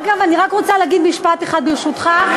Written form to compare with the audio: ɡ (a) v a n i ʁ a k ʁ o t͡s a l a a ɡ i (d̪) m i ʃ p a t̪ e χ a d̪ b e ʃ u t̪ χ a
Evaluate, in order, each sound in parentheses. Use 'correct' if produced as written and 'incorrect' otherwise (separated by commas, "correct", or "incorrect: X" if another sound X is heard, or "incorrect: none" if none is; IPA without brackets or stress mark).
correct, correct